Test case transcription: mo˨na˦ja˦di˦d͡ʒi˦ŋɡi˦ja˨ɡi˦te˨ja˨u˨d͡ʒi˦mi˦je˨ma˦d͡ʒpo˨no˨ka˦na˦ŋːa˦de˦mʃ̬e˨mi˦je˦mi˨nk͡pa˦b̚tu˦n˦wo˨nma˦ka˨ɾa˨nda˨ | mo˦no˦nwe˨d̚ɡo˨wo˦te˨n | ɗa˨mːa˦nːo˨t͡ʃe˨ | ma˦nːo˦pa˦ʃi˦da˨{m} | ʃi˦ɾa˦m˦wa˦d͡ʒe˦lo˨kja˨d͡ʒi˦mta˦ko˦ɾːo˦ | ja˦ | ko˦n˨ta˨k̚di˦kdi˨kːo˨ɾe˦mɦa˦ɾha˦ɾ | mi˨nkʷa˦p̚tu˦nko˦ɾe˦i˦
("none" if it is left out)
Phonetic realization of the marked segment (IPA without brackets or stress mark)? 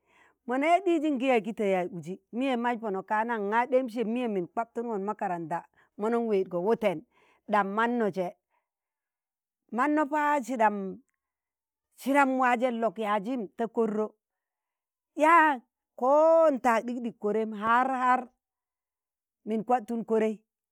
m